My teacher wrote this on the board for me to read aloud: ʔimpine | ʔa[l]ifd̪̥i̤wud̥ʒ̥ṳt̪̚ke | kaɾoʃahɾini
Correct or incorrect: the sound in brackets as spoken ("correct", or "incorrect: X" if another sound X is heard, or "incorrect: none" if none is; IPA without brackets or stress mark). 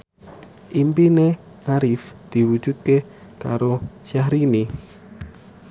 incorrect: ɾ